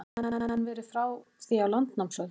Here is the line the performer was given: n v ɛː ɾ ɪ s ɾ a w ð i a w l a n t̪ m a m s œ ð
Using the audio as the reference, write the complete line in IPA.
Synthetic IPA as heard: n v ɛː ɾ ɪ f ɾ a w θ i a w l a n t̪ n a m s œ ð